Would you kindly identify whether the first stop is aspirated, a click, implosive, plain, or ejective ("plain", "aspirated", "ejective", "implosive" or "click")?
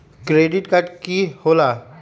plain